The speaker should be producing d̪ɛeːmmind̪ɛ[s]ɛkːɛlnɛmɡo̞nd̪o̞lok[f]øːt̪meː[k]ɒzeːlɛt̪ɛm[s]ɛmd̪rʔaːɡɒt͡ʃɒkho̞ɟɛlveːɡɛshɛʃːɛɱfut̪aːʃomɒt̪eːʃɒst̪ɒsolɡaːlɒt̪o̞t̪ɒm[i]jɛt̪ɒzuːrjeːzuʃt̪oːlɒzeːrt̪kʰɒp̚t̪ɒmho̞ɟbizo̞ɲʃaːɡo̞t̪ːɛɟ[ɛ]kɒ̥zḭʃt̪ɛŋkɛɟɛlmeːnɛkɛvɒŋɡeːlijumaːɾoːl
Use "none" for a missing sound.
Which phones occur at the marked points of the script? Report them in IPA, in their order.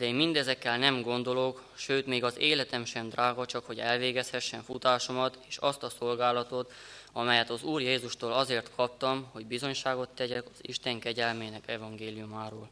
z, ʃ, ɡ, ʃ, ɛ, ɛ

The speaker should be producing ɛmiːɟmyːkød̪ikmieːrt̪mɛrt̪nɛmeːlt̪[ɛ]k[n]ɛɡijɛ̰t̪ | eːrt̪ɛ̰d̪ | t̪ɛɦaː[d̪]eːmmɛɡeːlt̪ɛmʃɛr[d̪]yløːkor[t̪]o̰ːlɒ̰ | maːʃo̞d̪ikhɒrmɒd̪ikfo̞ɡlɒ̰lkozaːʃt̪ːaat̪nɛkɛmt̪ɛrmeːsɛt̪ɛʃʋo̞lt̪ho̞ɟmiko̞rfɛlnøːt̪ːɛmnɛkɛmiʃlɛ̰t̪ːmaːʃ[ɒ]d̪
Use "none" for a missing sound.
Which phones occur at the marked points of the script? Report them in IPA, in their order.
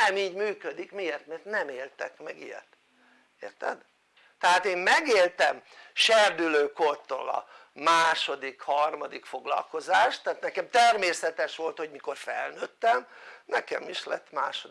ɛ, m, t̪, d̪, t̪, o

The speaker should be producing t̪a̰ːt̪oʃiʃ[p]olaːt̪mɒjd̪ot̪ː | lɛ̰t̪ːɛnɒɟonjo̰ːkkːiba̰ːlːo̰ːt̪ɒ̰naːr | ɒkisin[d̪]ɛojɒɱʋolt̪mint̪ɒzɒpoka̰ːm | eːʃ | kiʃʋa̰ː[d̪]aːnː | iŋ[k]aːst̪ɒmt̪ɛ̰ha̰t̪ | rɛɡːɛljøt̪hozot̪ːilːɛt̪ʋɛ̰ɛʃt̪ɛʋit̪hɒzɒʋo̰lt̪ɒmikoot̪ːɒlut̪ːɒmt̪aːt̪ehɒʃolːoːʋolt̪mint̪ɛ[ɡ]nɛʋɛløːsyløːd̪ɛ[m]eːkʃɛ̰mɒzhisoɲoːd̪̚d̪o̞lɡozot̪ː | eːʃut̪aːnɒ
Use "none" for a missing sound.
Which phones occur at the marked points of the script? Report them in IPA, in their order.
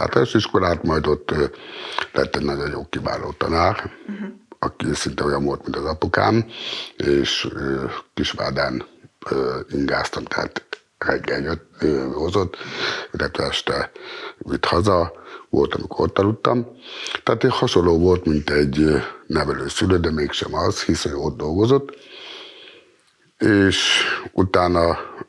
k, t̪, d̪, ɡ, ɟ, m

